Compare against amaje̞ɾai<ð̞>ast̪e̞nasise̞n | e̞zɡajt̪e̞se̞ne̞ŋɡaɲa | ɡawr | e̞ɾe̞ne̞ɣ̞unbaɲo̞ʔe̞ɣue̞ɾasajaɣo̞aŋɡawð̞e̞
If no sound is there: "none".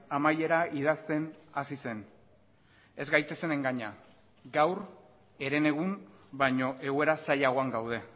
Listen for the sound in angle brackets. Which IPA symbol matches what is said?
ð̞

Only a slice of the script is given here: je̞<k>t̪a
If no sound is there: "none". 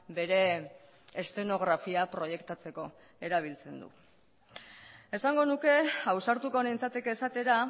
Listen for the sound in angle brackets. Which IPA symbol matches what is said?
k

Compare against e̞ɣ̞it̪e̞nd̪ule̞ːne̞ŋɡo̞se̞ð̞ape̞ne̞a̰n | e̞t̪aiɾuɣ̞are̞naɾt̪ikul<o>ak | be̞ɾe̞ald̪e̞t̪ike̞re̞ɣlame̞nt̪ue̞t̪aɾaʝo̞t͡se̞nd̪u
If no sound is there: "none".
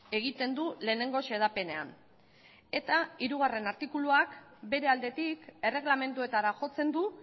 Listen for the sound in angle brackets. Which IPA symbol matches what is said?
u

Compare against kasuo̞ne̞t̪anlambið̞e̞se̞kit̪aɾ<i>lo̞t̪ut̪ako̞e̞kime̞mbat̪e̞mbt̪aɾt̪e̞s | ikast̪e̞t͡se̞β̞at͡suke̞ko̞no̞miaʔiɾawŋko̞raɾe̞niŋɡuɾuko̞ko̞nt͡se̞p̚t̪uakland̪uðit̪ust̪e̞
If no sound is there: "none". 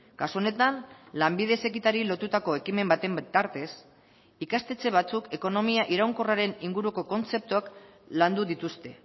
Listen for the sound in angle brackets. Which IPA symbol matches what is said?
i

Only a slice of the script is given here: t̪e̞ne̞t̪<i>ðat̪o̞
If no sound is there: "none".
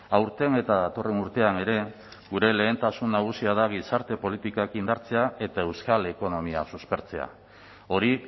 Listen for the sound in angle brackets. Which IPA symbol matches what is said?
a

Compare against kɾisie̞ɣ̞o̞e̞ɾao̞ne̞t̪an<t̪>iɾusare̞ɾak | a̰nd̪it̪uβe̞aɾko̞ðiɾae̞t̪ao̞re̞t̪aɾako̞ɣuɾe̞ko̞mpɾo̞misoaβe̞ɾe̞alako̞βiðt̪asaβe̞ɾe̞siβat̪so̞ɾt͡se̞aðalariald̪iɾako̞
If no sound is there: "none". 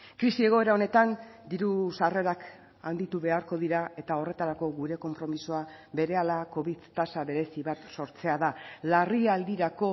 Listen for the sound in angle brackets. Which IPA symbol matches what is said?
d̪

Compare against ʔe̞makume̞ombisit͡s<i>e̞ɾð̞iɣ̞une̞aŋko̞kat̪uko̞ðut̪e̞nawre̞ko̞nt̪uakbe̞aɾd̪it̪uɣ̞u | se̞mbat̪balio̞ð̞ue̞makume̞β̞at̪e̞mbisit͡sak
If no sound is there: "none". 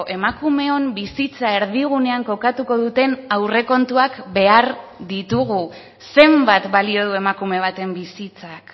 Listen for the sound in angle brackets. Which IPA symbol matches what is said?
a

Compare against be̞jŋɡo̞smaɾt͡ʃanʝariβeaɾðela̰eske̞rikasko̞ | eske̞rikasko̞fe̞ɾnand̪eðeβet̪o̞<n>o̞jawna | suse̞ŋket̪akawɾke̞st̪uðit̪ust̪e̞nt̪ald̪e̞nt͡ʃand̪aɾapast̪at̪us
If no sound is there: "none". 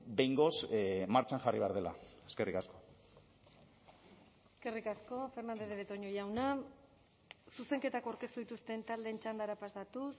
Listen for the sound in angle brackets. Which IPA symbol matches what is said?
ɲ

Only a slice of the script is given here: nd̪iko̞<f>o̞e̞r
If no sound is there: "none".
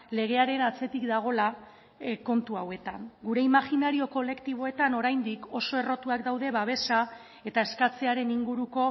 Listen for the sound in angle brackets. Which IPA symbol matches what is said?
s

